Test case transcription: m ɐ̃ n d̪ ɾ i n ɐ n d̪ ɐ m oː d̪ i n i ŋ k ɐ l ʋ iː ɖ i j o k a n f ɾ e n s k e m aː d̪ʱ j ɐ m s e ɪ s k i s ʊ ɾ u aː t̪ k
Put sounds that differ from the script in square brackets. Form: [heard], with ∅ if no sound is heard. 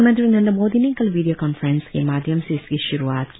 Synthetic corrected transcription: m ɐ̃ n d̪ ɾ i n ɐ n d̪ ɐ m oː d̪ i n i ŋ k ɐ l ʋ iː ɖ i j o k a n f ɾ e n s k e m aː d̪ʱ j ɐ m s e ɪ s k i [ʃ] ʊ ɾ u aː t̪ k